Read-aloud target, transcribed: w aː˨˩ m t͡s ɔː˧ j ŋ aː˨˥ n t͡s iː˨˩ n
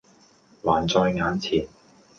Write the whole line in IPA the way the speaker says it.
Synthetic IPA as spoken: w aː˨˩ n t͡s ɔː˧ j ŋ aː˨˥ n t͡sʰ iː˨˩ n